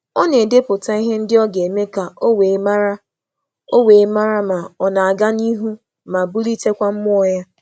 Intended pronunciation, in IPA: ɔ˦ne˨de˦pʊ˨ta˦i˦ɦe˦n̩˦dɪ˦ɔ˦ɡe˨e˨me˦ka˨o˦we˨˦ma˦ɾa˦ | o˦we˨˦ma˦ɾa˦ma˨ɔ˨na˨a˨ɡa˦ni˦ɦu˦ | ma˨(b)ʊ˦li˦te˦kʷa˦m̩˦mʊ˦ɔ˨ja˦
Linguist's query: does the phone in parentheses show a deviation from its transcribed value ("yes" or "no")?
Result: no